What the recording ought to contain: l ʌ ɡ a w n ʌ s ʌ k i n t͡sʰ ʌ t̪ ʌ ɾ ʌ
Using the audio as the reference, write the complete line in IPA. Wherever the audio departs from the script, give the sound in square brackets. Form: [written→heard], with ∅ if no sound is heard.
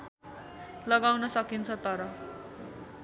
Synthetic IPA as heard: l ʌ ɡ a w n ʌ s ʌ k i n t͡sʰ ʌ t̪ ʌ ɾ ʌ